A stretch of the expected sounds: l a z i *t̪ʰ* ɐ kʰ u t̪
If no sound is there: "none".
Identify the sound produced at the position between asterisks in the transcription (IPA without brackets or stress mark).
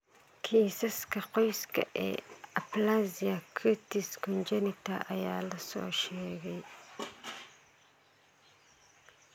none